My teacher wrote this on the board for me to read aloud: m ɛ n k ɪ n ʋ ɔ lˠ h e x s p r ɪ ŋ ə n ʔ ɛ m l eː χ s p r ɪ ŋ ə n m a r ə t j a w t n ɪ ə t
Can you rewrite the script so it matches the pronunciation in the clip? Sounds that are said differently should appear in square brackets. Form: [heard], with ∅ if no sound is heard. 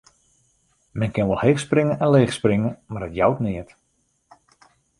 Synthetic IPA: m ɛ n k ɪ n ʋ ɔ lˠ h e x s p r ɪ ŋ ə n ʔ ɛ [n] l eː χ s p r ɪ ŋ ə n m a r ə t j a w t n ɪ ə t